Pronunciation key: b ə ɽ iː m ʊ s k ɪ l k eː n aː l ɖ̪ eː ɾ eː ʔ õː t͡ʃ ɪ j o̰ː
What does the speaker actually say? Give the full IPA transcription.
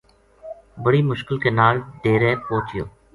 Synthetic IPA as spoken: b ə ɽ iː m ʊ ʃ k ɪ l k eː n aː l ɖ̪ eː ɾ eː p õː t͡ʃ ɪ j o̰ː